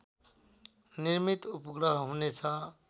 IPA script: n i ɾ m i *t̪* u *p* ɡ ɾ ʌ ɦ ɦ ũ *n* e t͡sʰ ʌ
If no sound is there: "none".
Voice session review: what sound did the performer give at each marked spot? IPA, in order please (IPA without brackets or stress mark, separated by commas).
t̪, p, n